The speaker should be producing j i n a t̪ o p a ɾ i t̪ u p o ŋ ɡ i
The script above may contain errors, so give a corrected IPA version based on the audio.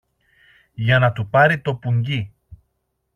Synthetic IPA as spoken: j a n a t̪ u p a ɾ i t̪ o p u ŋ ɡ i